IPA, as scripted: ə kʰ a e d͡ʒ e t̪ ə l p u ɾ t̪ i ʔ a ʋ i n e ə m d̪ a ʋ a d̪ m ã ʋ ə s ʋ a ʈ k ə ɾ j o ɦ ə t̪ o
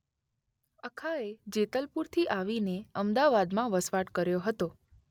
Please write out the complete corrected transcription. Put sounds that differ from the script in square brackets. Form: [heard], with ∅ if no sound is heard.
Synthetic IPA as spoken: ə kʰ a e d͡ʒ e t̪ ə l p u ɾ [t̪ʰ] i ʔ a ʋ i n e ə m d̪ a ʋ a d̪ m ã ʋ ə s ʋ a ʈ k ə ɾ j o ɦ ə t̪ o